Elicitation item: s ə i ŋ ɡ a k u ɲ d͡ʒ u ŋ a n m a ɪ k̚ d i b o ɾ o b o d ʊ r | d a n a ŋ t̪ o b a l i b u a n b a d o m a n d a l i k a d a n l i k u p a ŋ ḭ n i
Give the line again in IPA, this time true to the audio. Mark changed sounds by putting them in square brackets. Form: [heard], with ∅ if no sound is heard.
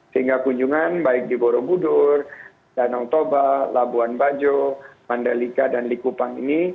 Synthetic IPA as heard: s ə i ŋ ɡ a k u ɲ d͡ʒ u ŋ a n [b] a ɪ k̚ d i b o ɾ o b [u] d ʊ r | d a n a ŋ t̪ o b a l [a] b u a n b a [d͡ʒ] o m a n d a l i k a d a n l i k u p a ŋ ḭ n i